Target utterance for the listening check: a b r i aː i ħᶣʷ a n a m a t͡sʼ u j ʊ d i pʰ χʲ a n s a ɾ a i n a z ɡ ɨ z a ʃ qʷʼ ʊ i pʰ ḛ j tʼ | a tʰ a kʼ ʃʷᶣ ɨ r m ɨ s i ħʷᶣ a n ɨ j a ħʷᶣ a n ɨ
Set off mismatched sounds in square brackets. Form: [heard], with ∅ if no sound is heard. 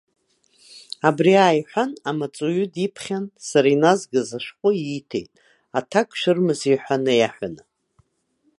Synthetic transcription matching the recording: a b r i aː [j] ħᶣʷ a n a m a t͡sʼ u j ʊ d i pʰ χʲ a n s a ɾ a i n a z ɡ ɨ z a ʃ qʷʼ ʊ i [tʰ] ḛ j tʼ | a tʰ a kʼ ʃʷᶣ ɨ r m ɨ [z] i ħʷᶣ a n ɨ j a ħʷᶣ a n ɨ